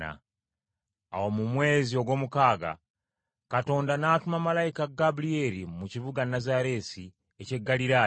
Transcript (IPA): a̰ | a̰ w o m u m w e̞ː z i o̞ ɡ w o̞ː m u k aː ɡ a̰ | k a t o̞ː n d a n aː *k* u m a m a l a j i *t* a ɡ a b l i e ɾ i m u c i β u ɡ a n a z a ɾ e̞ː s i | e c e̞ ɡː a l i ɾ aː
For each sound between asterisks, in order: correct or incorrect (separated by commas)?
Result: incorrect, incorrect